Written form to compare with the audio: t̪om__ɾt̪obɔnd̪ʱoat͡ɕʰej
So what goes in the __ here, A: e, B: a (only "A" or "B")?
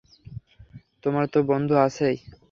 B